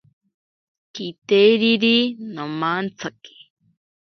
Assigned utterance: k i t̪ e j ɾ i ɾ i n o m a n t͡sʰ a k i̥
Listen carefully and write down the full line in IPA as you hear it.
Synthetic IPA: k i t̪ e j ɾ i ɾ i n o m a n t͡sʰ a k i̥